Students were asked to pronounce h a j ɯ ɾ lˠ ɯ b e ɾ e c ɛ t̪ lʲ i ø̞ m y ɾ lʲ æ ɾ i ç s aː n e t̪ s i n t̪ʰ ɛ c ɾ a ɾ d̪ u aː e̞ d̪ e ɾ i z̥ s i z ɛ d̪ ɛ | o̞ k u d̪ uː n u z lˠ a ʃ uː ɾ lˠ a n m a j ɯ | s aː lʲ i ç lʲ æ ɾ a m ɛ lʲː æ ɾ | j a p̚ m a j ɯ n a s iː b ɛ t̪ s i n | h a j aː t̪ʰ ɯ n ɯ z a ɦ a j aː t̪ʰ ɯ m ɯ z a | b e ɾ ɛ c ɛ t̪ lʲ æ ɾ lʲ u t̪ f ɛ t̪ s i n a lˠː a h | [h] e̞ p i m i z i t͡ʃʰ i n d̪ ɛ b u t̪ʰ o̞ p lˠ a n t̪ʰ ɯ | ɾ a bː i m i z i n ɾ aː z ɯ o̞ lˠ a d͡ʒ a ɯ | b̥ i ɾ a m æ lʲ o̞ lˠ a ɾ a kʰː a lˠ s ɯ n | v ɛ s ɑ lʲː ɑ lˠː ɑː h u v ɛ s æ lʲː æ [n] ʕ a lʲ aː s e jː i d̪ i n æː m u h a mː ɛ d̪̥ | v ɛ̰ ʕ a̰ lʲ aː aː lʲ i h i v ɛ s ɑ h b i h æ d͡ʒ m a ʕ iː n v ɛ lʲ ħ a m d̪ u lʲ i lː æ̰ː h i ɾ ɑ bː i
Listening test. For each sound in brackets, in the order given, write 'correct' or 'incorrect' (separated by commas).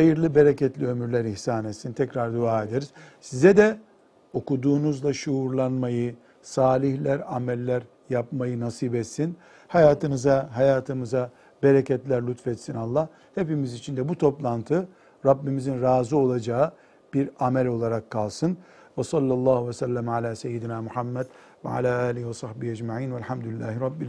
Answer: correct, incorrect